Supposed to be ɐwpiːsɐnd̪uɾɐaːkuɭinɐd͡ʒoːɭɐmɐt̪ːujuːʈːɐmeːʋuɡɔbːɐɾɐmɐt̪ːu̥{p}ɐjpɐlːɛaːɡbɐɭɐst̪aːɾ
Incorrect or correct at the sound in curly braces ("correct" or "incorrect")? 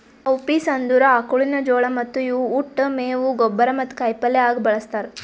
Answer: incorrect